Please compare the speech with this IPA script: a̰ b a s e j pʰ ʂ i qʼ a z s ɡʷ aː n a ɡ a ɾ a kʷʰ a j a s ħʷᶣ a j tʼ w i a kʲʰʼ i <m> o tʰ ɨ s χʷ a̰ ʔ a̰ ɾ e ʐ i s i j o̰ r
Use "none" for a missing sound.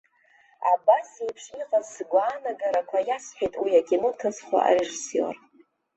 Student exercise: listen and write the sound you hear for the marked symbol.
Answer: n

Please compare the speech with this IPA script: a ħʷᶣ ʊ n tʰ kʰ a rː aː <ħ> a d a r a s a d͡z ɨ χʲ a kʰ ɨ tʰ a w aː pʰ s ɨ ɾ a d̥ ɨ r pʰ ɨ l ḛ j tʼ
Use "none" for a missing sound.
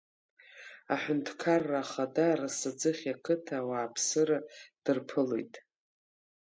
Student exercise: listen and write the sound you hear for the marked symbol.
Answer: χ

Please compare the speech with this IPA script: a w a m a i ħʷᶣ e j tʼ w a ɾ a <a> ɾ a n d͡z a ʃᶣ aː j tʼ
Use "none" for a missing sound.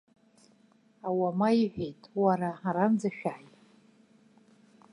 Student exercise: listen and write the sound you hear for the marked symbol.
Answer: a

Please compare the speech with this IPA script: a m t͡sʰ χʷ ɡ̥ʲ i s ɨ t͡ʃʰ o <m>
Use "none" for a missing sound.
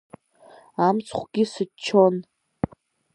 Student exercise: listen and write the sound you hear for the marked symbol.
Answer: n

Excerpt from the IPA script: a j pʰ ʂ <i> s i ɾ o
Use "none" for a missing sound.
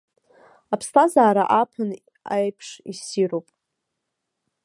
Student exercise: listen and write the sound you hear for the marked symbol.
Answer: i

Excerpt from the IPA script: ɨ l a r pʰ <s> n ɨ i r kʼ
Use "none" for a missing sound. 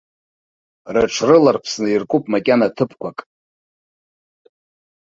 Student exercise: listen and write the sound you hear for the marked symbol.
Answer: s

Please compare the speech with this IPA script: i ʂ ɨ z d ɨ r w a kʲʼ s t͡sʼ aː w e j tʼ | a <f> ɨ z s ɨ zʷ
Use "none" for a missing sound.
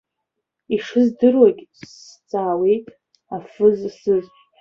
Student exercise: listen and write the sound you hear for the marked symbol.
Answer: f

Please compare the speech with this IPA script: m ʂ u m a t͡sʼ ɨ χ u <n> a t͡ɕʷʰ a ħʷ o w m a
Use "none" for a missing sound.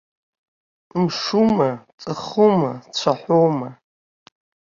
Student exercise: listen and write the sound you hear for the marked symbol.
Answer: m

